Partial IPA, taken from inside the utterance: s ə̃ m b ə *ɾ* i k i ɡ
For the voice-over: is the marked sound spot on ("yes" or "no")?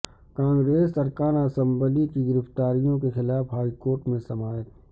no